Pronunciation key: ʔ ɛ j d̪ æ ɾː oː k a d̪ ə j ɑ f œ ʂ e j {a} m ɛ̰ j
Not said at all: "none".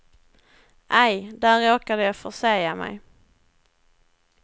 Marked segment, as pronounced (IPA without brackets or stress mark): a